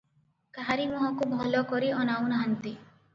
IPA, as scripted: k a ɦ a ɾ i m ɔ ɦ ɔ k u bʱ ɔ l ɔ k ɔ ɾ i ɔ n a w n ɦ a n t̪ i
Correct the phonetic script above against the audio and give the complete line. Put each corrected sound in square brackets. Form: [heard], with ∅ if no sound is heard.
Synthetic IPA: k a ɦ a ɾ i m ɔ ɦ ɔ k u bʱ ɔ l ɔ k ɔ ɾ i ɔ n a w n ɦ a n t̪ i